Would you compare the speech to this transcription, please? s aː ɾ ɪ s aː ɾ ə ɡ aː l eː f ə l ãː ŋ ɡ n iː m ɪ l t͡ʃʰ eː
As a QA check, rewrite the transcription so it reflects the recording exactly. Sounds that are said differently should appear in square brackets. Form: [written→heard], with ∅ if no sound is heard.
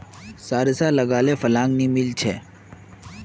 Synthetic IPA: s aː ɾ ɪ s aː [ɾ→l] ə ɡ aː l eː f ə l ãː ŋ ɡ n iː m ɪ l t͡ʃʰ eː